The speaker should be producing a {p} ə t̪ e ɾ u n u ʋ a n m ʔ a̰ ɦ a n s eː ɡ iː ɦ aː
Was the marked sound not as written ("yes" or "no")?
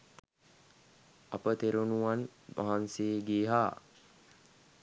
no